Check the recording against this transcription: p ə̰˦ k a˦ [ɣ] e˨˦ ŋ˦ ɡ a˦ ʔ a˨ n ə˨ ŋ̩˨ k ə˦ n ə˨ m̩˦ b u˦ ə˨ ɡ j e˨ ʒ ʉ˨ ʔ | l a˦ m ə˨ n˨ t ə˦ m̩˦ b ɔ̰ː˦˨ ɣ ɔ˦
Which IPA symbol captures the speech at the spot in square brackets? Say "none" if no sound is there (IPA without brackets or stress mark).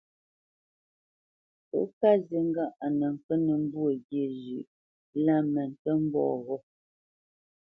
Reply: z